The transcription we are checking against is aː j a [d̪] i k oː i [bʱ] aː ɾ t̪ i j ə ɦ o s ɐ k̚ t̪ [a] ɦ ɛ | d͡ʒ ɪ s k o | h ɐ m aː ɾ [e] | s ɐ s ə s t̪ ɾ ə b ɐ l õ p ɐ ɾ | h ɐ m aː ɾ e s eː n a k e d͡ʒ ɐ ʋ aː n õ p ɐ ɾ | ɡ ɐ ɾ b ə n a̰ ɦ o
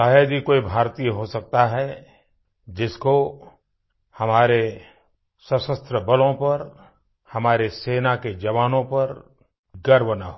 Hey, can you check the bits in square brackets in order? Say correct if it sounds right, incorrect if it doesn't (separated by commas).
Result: correct, correct, correct, correct